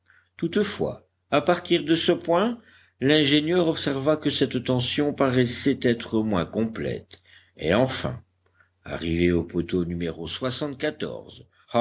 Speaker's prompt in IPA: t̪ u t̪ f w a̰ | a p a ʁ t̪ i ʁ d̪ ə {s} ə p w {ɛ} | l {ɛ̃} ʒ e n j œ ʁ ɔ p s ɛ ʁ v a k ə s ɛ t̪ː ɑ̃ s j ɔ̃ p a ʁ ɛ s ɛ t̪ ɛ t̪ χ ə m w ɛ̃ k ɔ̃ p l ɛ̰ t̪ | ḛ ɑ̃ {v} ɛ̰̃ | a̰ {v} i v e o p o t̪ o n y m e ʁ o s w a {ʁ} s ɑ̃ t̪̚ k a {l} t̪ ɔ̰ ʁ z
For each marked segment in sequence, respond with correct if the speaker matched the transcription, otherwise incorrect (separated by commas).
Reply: correct, incorrect, correct, incorrect, incorrect, incorrect, incorrect